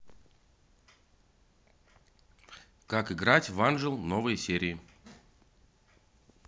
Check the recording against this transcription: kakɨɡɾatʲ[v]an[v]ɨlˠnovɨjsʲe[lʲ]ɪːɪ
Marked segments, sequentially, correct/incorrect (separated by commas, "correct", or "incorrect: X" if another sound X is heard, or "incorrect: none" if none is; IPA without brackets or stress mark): correct, incorrect: ʐ, incorrect: ɾʲ